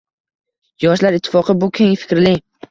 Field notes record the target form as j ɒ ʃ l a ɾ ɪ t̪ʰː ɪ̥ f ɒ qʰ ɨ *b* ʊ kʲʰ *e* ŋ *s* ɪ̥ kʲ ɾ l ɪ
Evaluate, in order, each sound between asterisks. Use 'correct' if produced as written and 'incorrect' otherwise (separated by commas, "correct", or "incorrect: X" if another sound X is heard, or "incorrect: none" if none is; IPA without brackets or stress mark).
correct, correct, incorrect: f